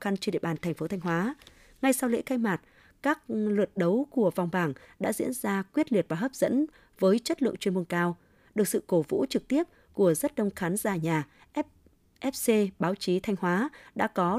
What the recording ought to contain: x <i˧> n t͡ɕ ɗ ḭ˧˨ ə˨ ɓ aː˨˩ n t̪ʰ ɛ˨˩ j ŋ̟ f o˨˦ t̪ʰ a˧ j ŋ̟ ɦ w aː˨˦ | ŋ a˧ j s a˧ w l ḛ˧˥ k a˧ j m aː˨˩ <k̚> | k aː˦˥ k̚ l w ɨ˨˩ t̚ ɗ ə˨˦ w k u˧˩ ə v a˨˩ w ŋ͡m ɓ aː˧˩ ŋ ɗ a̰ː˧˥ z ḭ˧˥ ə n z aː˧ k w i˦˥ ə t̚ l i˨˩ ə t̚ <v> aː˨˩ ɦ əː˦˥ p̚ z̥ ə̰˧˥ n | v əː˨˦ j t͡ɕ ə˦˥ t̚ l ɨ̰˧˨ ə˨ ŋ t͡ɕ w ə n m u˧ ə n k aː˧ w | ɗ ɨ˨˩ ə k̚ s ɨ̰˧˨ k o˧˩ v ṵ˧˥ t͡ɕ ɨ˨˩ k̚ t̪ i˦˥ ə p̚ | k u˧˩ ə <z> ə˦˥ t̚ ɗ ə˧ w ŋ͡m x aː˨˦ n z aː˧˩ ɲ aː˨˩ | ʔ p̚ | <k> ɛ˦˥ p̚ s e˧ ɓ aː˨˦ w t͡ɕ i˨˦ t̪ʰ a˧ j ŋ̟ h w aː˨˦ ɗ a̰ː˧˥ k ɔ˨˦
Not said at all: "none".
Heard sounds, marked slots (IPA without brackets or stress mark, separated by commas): a˧, t̚, v, z, ʔ